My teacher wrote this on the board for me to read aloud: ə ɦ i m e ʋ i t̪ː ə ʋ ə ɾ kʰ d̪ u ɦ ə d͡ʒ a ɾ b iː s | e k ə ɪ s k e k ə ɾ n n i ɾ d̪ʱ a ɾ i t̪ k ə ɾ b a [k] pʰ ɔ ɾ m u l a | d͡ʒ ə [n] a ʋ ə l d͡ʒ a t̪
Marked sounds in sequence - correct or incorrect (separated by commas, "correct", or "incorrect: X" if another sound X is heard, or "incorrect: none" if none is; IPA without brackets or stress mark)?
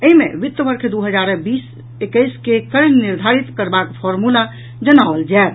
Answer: correct, correct